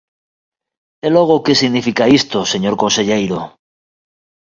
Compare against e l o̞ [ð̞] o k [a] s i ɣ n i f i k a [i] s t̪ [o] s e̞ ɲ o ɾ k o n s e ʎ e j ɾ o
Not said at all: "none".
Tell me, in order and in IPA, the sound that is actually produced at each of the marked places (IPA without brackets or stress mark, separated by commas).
ɣ̞, e, i, o